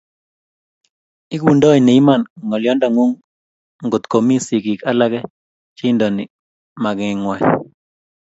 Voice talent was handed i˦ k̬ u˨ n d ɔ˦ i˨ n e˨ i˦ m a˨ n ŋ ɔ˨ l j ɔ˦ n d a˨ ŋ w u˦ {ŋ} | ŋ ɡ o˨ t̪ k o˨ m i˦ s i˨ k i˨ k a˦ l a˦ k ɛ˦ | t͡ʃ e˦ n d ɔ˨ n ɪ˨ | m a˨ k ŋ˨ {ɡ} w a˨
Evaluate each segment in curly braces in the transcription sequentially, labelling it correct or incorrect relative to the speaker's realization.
correct, incorrect

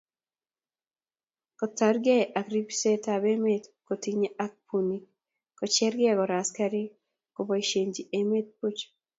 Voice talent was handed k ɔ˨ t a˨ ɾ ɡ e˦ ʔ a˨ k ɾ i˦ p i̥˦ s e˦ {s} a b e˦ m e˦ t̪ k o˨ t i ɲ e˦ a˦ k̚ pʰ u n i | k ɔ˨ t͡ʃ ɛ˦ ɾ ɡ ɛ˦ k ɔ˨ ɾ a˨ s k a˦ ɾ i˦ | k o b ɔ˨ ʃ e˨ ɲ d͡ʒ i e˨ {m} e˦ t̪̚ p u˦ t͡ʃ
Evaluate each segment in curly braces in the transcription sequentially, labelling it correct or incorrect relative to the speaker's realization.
incorrect, correct

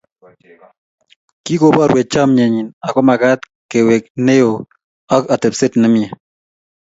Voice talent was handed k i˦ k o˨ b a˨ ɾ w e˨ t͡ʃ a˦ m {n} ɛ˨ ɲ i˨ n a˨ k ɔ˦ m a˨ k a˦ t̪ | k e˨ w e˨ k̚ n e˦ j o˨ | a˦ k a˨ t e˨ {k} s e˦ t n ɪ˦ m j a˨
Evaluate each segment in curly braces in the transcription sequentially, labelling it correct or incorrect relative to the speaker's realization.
incorrect, incorrect

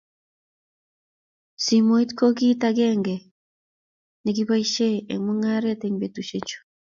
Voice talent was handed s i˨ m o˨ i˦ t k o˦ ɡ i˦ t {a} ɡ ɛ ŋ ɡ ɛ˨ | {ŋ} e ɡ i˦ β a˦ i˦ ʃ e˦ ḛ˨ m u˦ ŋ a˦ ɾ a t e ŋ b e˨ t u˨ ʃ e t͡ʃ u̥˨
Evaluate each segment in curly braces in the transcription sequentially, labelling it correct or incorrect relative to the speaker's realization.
correct, incorrect

